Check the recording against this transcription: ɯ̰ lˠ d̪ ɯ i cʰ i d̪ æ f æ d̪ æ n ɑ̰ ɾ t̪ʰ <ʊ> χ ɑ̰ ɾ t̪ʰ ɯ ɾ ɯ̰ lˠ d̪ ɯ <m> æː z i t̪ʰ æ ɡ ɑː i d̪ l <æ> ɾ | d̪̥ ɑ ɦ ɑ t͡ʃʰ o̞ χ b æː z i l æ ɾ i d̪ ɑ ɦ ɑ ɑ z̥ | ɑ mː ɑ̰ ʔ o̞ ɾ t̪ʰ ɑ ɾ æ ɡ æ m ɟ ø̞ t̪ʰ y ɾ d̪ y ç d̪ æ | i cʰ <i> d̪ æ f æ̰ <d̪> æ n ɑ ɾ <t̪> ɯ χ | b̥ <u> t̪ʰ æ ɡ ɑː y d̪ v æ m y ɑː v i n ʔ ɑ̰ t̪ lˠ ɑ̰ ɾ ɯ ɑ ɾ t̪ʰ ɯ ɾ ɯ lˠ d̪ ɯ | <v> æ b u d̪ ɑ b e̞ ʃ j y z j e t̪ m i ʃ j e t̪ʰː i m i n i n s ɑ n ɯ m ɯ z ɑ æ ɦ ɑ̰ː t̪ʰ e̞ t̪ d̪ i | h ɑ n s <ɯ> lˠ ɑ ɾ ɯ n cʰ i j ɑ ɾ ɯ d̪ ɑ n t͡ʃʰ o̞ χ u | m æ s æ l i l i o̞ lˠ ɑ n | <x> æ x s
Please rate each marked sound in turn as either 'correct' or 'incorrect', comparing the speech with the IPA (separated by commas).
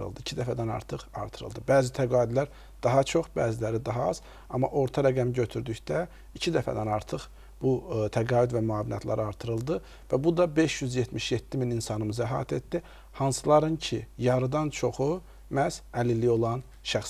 incorrect, incorrect, correct, correct, correct, incorrect, correct, correct, correct, incorrect